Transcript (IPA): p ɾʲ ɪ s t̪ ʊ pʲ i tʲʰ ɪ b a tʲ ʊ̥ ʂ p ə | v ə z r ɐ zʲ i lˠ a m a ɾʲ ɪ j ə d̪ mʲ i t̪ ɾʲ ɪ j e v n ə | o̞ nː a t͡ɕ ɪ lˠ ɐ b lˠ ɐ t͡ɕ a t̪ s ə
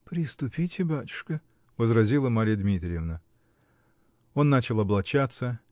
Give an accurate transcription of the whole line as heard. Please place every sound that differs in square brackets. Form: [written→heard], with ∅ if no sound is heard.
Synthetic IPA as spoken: p ɾʲ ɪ s t̪ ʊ pʲ i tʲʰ ɪ b a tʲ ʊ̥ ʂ [p→k] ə | v ə z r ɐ zʲ i lˠ [a→ə] m a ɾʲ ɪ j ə d̪ mʲ i t̪ ɾʲ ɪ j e v n ə | o̞ nː a t͡ɕ ɪ lˠ ɐ b lˠ ɐ t͡ɕ a t̪ s ə